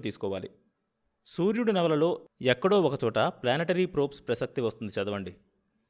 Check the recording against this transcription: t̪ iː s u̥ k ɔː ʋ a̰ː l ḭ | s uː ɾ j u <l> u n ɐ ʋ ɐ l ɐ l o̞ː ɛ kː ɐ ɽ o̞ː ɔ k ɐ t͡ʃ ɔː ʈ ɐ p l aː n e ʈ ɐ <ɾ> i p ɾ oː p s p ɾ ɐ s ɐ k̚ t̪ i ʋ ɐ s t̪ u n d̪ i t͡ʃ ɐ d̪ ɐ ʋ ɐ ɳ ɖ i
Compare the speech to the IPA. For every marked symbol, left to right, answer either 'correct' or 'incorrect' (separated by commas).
incorrect, correct